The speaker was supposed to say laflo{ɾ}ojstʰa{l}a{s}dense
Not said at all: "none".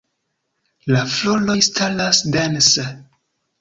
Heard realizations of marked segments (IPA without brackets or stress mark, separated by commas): l, l, s